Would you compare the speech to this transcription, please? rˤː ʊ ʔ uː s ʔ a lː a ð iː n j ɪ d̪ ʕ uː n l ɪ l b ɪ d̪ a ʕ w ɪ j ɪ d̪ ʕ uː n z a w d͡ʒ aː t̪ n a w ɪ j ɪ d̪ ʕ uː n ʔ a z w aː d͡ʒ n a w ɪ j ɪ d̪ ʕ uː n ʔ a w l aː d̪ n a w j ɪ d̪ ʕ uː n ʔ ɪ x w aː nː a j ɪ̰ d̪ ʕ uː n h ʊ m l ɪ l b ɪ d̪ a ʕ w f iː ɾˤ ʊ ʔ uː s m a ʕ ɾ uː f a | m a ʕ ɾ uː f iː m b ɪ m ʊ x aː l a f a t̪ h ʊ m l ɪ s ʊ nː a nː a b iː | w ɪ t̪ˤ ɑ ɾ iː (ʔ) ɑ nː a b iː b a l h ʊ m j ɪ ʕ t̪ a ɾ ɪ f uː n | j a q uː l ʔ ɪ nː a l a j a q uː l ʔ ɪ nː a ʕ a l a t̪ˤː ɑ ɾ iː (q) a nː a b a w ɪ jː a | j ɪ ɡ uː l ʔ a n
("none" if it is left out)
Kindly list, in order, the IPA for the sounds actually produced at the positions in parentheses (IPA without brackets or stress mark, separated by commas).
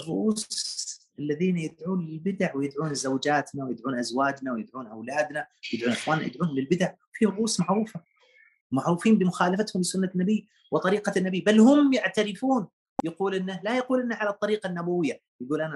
q, q